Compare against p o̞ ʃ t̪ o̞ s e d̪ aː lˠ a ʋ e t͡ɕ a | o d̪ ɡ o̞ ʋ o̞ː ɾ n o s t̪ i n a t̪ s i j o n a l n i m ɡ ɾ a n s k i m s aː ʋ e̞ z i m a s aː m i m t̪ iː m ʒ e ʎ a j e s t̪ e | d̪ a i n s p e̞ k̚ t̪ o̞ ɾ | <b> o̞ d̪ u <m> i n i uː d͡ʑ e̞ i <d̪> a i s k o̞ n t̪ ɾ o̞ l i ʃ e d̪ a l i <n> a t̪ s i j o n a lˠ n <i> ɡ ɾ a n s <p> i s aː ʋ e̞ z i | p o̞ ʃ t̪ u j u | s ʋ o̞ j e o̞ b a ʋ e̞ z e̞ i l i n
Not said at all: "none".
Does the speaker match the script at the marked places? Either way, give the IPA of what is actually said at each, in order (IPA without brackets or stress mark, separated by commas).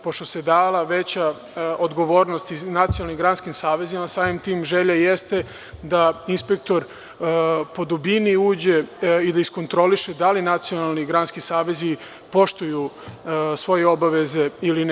p, b, d̪, n, i, k